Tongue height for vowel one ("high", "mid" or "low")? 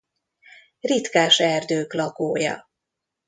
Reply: high